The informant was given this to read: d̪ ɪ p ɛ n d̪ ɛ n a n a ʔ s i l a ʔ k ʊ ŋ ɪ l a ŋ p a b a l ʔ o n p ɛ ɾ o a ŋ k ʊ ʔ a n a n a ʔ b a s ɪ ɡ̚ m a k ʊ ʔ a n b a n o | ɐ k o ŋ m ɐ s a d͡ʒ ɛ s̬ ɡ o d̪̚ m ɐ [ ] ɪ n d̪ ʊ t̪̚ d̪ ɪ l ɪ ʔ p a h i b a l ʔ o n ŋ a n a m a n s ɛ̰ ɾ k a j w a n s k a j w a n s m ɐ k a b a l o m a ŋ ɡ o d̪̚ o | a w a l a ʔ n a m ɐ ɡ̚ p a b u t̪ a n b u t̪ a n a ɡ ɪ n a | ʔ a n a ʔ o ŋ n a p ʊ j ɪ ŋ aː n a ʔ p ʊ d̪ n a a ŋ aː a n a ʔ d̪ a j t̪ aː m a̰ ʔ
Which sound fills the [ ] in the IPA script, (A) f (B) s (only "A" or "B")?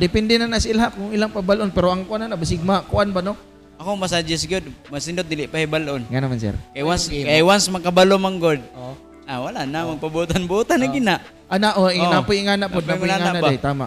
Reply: B